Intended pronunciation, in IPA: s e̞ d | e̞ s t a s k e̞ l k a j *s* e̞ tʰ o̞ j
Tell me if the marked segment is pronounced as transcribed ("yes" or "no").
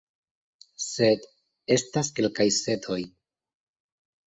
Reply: yes